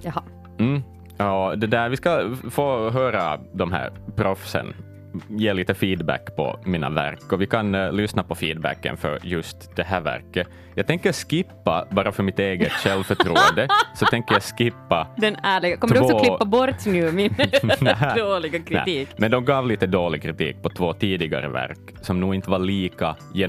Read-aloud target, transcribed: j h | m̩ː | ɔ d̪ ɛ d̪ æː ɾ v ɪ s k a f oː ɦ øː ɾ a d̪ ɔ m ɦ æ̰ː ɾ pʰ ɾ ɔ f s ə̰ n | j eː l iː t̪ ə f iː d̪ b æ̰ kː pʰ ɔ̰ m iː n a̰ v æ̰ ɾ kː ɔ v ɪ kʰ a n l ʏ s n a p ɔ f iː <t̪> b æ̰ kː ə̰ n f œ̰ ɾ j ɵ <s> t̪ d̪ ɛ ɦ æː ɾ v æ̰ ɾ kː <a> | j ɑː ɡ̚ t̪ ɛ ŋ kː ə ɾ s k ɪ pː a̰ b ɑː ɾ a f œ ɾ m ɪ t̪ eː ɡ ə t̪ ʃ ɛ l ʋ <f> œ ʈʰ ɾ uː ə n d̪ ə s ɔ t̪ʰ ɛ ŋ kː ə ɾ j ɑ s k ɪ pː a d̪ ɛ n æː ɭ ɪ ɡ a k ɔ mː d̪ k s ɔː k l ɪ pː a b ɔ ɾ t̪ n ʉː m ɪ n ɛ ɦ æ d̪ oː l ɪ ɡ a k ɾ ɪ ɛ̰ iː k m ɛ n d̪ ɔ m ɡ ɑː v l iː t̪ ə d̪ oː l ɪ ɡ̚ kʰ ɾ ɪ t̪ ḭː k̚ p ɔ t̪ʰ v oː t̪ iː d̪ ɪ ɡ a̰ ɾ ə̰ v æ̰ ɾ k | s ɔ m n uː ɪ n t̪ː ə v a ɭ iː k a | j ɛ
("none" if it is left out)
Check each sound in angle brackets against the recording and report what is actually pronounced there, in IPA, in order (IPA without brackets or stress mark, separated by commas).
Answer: d̪, s, ə, f